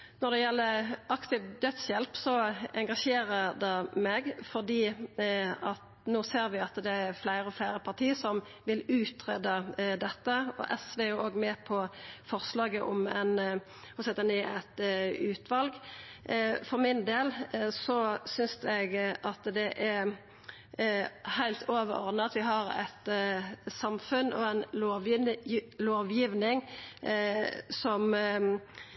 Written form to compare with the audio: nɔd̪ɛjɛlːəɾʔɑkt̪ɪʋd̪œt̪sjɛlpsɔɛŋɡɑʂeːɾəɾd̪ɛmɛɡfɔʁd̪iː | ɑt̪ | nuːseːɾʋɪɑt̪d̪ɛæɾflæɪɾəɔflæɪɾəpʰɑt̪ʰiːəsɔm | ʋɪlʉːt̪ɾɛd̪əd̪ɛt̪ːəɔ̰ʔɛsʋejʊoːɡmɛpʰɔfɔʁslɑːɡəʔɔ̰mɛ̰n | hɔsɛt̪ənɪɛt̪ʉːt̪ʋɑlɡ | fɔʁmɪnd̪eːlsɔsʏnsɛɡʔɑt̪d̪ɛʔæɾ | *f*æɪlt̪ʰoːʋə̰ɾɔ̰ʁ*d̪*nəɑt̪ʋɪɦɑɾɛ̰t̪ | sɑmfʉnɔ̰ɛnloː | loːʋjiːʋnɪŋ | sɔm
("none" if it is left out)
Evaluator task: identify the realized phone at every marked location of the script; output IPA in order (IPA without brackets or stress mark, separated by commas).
h, d̪